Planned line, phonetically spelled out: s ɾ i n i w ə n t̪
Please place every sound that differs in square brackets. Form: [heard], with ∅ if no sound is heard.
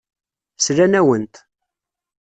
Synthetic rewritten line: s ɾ [æ] n [æ] w ə n t̪